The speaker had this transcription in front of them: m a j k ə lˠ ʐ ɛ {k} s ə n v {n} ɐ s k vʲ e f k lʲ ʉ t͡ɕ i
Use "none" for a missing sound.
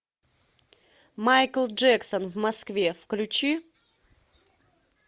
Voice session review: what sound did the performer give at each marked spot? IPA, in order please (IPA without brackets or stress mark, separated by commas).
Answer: k, m